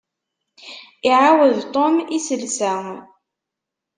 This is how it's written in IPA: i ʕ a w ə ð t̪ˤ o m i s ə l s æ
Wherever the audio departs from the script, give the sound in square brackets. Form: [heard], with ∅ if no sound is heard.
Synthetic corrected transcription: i ʕ a w ə ð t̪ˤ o m i s ə l s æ

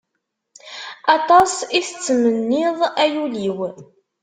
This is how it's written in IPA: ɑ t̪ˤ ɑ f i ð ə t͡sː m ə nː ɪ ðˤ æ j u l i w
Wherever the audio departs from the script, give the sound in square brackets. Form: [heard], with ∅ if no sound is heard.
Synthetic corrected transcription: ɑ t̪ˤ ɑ [s] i [θ] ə t͡sː m ə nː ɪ ðˤ æ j u l i w

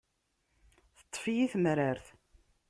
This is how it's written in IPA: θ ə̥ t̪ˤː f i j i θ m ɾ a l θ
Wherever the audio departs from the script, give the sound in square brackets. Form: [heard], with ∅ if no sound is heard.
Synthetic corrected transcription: θ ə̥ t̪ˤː f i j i θ m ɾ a [ɾ] θ

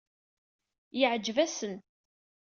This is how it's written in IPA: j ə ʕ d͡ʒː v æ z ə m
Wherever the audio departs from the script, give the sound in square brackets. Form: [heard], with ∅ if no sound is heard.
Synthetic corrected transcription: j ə ʕ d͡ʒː v æ [s] ə [n]

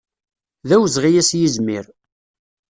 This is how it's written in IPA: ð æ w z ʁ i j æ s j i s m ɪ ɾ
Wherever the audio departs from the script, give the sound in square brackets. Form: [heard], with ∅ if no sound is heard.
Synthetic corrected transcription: ð æ w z ʁ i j æ s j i [z] m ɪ ɾ

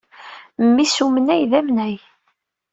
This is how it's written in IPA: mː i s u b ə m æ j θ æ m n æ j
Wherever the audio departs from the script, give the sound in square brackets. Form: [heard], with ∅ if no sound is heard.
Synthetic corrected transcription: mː i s u [m] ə [n] æ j [ð] æ m n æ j

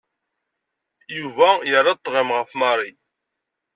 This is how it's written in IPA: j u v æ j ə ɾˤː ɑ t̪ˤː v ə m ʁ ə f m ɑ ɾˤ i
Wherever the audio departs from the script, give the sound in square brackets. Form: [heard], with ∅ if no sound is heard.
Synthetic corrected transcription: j u v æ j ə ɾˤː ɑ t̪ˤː [ʁ] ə m ʁ ə f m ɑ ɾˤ i

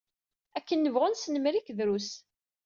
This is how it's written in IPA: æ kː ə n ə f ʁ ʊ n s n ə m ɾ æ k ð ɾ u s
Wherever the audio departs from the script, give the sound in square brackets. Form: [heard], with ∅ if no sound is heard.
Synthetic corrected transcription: æ kː ə [nː] ə [v] ʁ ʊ n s n ə m ɾ [i] k ð ɾ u s

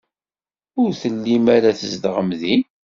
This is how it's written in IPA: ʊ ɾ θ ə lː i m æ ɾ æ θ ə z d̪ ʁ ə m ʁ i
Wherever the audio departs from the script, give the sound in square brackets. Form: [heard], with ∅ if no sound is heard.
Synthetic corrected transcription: ʊ ɾ θ ə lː i m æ ɾ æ θ ə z d̪ ʁ ə m [ð] i

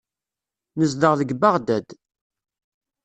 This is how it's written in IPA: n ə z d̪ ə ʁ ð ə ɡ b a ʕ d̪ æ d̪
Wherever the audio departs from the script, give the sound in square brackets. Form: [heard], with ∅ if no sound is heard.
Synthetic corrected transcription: n ə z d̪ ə ʁ ð ə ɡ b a [ʁ] d̪ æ d̪

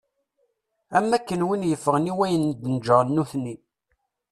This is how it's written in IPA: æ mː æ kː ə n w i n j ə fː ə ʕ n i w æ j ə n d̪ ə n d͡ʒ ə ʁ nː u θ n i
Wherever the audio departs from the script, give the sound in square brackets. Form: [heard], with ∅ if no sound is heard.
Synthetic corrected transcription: æ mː æ kː ə n w i n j ə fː ə [ʁ] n i w æ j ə n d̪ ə n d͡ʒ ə ʁ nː u θ n i

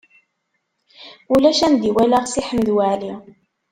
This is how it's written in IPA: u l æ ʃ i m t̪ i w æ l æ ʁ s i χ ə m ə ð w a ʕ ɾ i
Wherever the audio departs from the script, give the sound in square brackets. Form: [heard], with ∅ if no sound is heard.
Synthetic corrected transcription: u l æ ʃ [æ] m [d̪] i w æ l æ ʁ s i [ħ] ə m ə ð w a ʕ [l] i

